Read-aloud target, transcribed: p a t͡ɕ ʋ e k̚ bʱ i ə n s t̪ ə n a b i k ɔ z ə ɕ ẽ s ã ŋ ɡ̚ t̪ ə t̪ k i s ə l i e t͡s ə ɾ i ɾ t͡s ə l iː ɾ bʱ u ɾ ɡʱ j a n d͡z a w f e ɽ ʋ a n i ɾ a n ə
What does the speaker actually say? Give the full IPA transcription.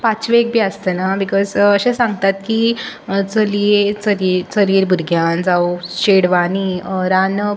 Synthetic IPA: p a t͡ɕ ʋ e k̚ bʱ i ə s t̪ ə n a b i k ɔ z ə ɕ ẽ s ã ŋ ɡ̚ t̪ a t̪ k i t͡s ə l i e t͡s ə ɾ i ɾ t͡s ə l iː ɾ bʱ u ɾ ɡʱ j a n d͡z a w ɕ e ɽ ʋ a n i ɾ a n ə